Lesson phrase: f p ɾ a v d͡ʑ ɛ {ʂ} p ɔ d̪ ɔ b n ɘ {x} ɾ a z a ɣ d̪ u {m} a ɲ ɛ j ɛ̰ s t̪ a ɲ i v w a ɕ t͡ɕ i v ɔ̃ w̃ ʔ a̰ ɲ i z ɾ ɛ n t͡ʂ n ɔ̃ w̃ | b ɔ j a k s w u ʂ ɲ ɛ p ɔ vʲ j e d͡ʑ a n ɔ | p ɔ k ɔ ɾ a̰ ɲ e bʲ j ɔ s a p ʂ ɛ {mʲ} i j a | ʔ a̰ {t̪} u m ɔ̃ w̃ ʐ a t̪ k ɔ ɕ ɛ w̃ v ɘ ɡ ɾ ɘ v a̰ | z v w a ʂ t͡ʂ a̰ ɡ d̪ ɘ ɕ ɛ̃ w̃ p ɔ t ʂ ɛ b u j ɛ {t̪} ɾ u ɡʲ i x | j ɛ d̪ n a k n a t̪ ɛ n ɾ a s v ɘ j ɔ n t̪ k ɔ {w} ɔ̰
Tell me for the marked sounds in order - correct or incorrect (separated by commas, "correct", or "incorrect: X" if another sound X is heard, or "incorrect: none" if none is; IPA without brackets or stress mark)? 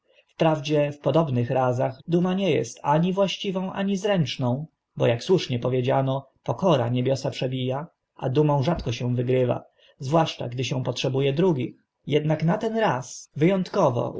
incorrect: f, correct, correct, incorrect: bʲ, incorrect: d̪, incorrect: d̪, incorrect: v